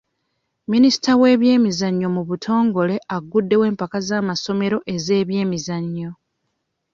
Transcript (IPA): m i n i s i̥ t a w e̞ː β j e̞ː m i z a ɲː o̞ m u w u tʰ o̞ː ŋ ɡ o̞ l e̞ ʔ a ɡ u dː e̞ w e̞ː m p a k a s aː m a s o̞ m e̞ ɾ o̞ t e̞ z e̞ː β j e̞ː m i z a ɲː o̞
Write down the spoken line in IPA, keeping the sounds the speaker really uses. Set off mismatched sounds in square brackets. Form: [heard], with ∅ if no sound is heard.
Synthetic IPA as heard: m i n i s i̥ t a w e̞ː β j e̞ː m i z a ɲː o̞ m u [β] u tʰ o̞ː ŋ ɡ o̞ l e̞ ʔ a ɡ u dː e̞ w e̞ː m p a k a [z] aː m a s o̞ m e̞ ɾ o̞ [ʔ] e̞ z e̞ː β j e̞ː m i z a ɲː o̞